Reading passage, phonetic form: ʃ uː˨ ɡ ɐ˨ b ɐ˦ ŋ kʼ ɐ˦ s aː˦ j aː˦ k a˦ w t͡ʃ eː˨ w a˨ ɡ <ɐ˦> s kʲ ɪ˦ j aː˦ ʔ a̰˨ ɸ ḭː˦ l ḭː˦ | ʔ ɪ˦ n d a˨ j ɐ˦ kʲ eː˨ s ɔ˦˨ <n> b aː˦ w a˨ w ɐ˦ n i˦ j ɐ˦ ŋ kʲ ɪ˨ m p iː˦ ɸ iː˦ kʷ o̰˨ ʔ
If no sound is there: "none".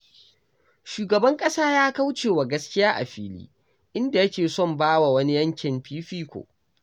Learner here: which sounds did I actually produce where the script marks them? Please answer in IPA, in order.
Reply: ɐ˦, m

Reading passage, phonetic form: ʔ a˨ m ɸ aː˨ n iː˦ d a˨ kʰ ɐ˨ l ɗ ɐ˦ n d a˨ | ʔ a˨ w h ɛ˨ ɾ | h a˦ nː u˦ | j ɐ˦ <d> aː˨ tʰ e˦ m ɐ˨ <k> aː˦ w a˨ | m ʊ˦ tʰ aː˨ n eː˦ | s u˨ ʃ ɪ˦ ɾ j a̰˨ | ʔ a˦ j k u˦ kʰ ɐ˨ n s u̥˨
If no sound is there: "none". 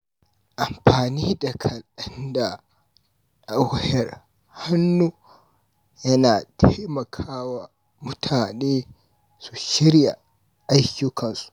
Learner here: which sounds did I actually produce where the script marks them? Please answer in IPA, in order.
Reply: n, kʰ

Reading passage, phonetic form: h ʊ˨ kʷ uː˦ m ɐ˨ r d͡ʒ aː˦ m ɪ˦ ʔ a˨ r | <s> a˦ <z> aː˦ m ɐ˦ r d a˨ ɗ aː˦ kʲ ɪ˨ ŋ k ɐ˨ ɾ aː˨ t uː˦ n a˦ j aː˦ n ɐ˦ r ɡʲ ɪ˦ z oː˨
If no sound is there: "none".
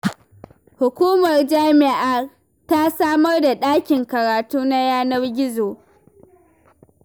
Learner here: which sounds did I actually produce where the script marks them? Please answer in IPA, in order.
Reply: t, s

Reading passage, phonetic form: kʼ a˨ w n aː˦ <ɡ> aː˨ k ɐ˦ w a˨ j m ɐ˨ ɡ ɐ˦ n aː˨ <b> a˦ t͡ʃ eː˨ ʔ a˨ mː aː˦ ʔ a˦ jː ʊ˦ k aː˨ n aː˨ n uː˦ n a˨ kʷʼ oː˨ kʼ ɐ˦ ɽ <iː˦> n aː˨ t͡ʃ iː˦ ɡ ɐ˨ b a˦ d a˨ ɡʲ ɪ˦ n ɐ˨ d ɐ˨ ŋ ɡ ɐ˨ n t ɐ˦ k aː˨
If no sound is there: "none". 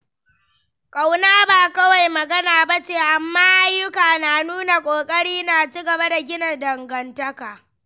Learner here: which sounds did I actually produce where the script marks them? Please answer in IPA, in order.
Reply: b, b, iː˦

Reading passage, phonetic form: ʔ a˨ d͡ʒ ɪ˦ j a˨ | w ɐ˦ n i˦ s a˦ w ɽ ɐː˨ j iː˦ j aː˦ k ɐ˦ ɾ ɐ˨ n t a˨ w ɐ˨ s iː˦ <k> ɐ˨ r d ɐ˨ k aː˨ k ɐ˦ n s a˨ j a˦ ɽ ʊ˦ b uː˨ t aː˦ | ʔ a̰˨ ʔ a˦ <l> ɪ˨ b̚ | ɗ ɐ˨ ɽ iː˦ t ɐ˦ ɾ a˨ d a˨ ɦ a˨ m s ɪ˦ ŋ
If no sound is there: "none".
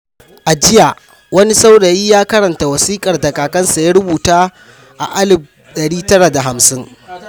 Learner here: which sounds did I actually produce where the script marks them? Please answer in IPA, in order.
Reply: kʼ, l

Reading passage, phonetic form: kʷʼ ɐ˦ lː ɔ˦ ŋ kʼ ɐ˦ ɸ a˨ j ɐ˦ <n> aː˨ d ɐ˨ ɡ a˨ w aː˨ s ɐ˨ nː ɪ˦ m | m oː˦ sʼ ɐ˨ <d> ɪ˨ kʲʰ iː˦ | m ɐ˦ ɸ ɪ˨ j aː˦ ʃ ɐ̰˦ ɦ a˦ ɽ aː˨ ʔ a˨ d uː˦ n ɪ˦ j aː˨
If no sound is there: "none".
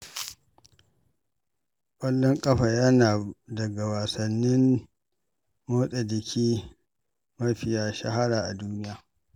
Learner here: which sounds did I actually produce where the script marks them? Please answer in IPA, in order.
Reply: n, d

